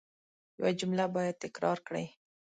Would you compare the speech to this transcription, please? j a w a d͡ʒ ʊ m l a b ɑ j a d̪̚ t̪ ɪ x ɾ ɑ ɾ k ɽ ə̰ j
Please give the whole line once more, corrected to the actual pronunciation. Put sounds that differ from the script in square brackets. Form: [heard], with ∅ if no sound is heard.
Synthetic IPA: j a w a d͡ʒ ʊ m l a b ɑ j a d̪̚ t̪ ɪ [k] ɾ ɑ ɾ k ɽ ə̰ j